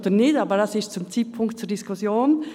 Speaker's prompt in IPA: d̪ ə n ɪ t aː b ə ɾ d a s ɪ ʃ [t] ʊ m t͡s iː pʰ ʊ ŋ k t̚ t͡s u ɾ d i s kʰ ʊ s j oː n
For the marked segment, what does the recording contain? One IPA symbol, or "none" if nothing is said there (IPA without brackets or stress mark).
t͡s